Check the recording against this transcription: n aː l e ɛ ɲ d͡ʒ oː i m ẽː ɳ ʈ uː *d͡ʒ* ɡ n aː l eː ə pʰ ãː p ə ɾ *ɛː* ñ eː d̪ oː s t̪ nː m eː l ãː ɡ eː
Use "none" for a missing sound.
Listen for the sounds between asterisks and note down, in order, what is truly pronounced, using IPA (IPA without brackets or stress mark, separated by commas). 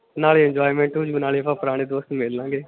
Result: d͡ʒ, aː